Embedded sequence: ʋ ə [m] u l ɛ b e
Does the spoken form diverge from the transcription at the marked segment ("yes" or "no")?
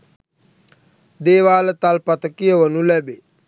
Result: yes